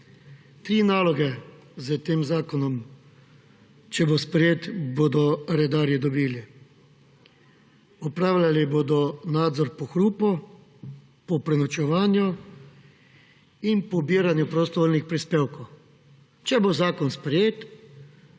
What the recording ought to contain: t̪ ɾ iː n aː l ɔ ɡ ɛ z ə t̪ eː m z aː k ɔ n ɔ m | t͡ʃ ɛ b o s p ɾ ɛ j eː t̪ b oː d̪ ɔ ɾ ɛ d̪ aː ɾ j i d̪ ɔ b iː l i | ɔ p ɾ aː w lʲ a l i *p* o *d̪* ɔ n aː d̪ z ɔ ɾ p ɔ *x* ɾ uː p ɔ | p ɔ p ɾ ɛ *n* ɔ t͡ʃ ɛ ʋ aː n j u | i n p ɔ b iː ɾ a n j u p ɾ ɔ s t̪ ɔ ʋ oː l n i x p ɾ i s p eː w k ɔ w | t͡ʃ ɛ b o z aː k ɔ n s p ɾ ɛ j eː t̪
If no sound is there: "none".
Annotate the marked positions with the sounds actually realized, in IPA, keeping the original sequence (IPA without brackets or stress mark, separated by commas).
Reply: b, d̪, x, n